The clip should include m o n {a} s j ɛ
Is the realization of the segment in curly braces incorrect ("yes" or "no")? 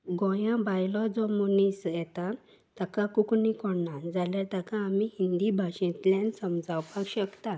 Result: yes